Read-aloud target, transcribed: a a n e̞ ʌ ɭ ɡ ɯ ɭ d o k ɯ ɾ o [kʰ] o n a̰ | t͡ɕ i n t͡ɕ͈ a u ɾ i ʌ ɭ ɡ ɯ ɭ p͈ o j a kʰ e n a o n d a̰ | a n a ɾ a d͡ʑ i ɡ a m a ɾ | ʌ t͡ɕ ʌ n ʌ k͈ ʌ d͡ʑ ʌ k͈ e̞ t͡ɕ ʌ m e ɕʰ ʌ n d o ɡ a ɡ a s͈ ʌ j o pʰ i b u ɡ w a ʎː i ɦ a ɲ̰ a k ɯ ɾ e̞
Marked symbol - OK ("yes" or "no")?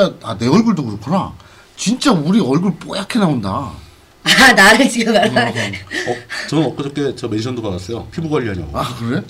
yes